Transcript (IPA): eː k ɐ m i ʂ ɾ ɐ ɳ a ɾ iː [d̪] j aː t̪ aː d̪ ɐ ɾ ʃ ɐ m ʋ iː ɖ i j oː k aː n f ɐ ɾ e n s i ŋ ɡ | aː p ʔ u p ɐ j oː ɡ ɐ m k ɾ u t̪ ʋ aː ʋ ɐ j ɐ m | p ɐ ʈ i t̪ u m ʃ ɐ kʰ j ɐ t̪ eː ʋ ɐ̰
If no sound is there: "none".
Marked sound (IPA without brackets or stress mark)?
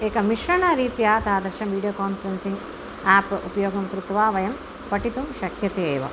t̪